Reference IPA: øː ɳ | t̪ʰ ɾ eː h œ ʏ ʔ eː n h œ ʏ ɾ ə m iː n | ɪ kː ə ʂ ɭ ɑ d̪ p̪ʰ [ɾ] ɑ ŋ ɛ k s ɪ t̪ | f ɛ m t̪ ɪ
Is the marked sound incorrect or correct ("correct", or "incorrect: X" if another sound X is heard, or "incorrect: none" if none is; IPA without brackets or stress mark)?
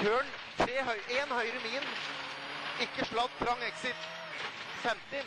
correct